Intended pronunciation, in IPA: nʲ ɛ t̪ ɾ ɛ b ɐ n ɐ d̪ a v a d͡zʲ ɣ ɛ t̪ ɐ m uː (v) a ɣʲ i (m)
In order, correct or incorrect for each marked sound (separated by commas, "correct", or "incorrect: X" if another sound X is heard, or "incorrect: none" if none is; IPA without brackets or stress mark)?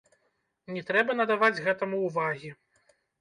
correct, incorrect: none